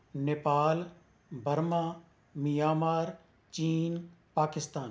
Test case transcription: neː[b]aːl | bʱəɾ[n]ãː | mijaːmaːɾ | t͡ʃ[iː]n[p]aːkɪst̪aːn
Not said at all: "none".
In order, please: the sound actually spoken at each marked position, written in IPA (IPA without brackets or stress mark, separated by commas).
p, m, iː, p